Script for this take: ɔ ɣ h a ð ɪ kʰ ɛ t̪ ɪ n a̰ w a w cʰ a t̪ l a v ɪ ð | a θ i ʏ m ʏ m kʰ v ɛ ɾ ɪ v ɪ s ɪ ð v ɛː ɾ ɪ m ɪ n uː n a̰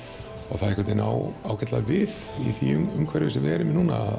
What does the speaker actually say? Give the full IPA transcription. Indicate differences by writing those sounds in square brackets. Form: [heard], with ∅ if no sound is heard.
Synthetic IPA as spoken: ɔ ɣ [θ] a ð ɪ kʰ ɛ t̪ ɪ n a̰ w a w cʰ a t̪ l a v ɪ ð | [i] θ i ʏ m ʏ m kʰ v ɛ ɾ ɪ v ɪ s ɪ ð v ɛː ɾ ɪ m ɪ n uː n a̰